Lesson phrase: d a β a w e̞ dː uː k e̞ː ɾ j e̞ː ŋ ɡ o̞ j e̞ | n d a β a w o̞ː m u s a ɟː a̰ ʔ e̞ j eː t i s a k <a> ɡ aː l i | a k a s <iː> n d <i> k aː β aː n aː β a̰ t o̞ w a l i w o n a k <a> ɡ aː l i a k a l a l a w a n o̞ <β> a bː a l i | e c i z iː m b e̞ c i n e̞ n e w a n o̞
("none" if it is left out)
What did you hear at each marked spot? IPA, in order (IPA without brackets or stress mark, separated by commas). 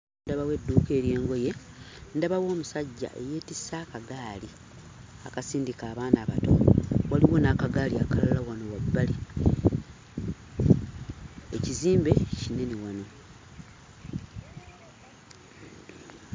a, iː, i, a, w